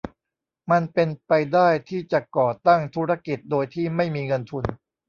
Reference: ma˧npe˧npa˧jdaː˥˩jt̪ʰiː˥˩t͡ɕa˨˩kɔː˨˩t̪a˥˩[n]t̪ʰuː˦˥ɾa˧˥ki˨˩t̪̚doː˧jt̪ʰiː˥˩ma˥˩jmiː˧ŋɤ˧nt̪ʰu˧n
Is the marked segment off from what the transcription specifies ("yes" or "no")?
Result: yes